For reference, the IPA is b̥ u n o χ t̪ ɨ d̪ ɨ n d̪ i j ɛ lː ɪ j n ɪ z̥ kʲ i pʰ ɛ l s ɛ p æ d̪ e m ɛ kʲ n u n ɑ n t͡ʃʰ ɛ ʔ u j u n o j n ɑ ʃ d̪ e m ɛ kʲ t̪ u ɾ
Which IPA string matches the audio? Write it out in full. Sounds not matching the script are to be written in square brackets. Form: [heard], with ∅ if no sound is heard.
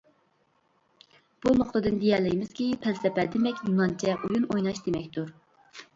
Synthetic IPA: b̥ u n o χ t̪ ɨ d̪ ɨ n d̪ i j ɛ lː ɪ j [m] ɪ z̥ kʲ i pʰ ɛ l s ɛ p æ d̪ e m ɛ kʲ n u n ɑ n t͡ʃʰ ɛ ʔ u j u n o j n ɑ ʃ d̪ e m ɛ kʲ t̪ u ɾ